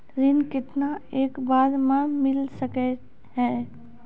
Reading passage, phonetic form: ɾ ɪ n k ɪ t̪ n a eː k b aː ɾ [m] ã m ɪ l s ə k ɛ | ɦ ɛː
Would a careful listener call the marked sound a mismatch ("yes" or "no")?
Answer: no